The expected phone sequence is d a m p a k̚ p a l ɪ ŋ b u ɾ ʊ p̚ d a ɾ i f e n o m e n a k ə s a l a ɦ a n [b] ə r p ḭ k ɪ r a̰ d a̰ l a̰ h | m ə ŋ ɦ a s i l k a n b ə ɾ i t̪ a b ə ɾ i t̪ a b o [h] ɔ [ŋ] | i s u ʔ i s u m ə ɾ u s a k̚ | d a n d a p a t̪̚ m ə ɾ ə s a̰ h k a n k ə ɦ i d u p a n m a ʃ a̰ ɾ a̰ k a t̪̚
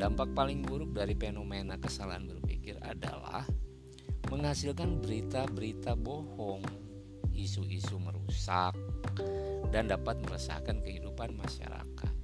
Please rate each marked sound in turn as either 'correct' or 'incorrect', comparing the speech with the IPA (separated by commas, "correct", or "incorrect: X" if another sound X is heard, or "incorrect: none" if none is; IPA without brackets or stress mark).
correct, correct, correct